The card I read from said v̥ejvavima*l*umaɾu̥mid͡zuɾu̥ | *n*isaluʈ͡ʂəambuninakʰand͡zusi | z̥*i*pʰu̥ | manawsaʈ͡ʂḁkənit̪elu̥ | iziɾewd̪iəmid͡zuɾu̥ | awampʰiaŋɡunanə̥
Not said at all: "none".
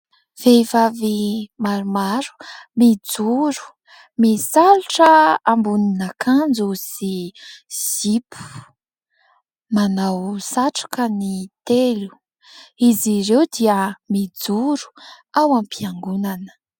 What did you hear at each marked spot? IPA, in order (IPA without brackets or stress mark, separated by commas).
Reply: ɾ, m, i